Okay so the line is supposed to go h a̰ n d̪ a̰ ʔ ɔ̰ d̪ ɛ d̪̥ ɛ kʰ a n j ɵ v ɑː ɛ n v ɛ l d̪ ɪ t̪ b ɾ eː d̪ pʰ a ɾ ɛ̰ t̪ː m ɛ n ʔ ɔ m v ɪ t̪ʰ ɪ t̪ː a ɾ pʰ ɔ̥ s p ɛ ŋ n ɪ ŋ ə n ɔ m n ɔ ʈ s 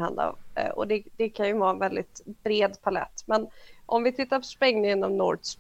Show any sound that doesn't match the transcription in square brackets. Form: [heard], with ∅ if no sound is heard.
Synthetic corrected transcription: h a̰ n d̪ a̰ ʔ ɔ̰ d̪ ɛ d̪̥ ɛ kʰ a n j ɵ v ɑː ɛ n v ɛ l d̪ ɪ t̪ b ɾ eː d̪ pʰ a [l] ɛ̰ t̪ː m ɛ n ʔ ɔ m v ɪ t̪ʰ ɪ t̪ː a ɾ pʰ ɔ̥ s p ɛ ŋ n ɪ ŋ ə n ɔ m n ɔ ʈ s